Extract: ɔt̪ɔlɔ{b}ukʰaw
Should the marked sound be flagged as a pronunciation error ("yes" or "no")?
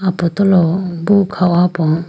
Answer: no